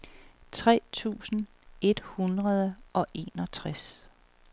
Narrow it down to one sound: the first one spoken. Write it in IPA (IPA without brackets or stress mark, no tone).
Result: t͡sʰ